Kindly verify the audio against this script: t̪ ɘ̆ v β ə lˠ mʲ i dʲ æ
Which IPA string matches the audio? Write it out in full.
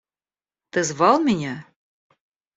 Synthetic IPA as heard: t̪ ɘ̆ z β ɑ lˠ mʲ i nʲ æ